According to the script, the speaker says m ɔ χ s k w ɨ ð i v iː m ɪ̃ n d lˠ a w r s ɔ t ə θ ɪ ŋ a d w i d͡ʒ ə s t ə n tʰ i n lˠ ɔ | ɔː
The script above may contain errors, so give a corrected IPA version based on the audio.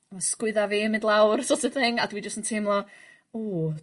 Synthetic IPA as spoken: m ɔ s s k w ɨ ð a v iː m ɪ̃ n d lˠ a w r s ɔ t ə θ ɪ ŋ a d w i d͡ʒ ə s t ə n tʰ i m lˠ ɔ | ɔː